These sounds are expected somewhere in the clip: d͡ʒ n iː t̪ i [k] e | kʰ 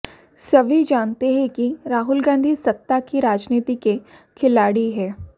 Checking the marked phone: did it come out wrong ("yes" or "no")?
no